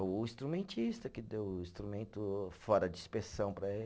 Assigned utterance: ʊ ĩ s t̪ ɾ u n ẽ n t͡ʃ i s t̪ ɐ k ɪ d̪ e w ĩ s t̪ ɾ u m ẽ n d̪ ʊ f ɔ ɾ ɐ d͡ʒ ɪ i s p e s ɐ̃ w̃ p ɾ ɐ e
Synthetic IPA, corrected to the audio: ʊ ĩ s t̪ ɾ u m ẽ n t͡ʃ i s t̪ ɐ k ɪ d̪ e w ĩ s t̪ ɾ u m ẽ n t̪ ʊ f ɔ ɾ ɐ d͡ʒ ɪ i s p e s ɐ̃ w̃ p ɾ ɐ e